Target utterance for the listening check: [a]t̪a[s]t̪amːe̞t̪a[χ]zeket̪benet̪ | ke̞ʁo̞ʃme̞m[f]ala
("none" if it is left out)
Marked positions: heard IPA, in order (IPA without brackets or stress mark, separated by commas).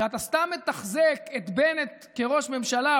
a, s, χ, ʃ